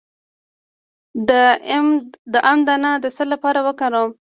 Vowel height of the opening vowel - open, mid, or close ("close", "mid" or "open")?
mid